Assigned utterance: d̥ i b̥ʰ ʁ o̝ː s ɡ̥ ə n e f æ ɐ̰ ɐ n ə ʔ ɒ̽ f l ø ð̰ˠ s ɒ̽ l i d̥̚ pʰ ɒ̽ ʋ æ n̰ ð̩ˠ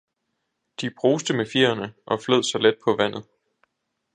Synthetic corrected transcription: d̥ i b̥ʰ ʁ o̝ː s d̥ ə m e f i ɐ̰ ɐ n ə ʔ ɒ̽ f l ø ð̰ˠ s ɒ̽ l e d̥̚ pʰ ɒ̽ ʋ æ n̰ ð̩ˠ